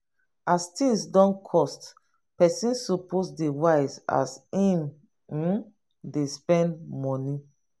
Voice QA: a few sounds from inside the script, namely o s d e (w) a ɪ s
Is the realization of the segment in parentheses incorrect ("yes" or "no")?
no